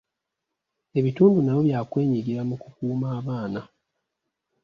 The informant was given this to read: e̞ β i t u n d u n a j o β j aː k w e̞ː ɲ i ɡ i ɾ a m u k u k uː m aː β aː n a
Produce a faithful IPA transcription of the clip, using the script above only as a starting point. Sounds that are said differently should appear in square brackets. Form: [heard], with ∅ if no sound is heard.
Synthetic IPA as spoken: e̞ β i t [uː] n d u n a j o β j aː k w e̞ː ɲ i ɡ i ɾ a m u k u k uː m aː β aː n a